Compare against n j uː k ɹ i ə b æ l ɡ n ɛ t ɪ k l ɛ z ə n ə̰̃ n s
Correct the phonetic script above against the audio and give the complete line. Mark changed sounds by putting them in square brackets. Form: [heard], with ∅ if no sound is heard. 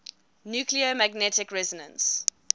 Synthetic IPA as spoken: n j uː k [l] i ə [m] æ [∅] ɡ n ɛ t ɪ k [ɹ] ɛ z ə n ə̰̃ n s